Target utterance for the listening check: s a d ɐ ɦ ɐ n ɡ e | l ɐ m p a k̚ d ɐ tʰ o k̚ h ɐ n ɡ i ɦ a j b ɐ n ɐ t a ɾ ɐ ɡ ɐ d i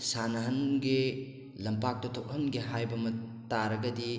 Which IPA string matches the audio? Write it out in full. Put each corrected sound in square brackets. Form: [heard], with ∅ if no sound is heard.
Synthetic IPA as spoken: s a [n] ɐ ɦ ɐ n ɡ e | l ɐ m p a k̚ [t] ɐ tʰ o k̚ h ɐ n ɡ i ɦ a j b ɐ [m] ɐ t a ɾ ɐ ɡ ɐ d i